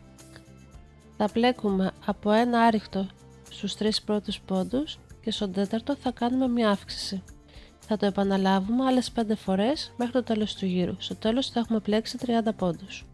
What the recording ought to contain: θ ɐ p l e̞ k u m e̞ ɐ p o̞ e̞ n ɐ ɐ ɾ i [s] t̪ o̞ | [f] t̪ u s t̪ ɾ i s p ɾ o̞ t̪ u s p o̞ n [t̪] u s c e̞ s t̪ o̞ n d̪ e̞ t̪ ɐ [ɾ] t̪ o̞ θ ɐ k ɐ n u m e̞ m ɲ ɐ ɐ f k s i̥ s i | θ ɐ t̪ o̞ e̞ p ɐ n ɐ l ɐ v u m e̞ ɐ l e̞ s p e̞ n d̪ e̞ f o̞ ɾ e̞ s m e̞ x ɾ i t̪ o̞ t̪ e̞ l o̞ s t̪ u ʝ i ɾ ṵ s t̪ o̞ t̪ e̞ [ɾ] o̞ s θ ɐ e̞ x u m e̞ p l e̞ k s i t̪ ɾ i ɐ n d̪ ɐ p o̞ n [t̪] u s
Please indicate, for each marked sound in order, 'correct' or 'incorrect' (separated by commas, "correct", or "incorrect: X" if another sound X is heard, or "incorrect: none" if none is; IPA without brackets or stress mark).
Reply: incorrect: x, incorrect: s, incorrect: d̪, correct, incorrect: l, incorrect: d̪